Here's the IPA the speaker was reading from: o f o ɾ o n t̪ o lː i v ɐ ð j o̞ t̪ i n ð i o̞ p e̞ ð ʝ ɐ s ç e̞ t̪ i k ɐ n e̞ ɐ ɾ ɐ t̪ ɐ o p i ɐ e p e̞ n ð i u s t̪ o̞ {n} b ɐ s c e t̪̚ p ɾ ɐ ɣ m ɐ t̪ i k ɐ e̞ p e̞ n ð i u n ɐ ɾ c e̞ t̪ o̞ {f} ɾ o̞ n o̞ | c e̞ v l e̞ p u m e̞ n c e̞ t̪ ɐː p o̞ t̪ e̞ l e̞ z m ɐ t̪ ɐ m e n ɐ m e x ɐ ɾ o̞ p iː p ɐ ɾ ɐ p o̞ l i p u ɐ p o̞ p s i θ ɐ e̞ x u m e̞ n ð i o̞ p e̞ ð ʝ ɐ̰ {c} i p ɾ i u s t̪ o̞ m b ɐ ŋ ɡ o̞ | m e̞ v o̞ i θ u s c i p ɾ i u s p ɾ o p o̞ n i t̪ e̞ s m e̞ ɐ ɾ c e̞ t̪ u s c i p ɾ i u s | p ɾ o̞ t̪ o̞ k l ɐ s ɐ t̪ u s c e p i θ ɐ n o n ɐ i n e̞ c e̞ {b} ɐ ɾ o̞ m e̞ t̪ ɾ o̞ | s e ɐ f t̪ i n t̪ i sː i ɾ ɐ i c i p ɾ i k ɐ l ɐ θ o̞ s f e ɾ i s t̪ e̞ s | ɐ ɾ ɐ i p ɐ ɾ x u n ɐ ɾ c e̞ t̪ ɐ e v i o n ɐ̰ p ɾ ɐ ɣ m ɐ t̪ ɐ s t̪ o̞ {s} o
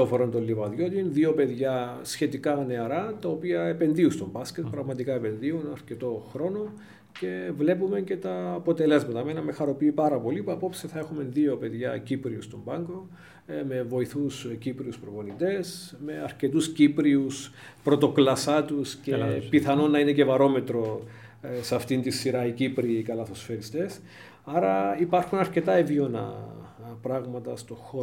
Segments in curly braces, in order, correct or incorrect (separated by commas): incorrect, incorrect, correct, incorrect, incorrect